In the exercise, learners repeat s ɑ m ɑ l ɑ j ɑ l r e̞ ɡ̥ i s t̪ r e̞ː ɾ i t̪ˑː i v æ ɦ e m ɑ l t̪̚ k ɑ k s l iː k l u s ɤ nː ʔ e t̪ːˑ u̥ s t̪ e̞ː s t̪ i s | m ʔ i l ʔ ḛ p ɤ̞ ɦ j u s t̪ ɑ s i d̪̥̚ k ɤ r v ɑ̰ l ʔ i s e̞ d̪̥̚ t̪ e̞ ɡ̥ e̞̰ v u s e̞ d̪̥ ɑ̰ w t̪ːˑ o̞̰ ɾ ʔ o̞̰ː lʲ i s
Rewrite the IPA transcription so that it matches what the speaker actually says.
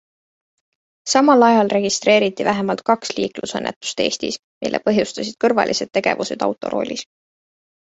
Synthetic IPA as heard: s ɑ m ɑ l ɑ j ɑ l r e̞ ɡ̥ i s t̪ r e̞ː ɾ i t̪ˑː i v æ ɦ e m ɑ l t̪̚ k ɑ k s l iː k l u s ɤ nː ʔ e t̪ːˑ u̥ s t̪ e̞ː s t̪ i s | m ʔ i l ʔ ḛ p ɤ̞ ɦ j u s t̪ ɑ s i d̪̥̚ k ɤ r v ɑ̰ l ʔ i s e̞ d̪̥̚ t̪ e̞ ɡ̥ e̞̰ v u s e̞ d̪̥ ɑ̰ w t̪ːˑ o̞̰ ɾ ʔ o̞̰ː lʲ i s